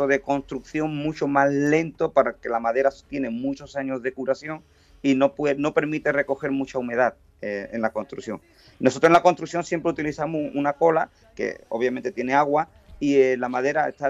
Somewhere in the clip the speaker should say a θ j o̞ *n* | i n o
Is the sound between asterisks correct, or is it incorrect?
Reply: incorrect